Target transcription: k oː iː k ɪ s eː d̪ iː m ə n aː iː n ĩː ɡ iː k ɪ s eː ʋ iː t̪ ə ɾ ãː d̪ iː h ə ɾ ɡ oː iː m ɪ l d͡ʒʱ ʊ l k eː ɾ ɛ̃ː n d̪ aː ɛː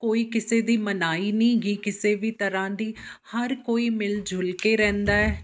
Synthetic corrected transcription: k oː iː k ɪ s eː d̪ iː m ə n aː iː n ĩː ɡ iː k ɪ s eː ʋ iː t̪ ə ɾ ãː d̪ iː h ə ɾ k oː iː m ɪ l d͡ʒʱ ʊ l k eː ɾ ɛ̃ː n d̪ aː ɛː